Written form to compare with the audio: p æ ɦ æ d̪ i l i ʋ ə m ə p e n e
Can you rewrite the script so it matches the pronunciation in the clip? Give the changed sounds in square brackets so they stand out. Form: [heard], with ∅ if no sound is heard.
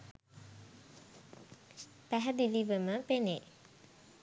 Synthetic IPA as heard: p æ ɦ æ d̪ i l i ʋ ə m ə p e n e